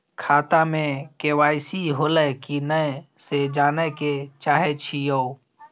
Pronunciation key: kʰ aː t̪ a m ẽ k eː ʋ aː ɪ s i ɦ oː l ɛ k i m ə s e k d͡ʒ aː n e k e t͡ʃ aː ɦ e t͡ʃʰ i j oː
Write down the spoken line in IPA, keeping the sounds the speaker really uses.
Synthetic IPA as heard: kʰ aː t̪ a m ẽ k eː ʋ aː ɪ s i ɦ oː l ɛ k i n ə s e d͡ʒ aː n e k e t͡ʃ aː ɦ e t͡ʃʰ i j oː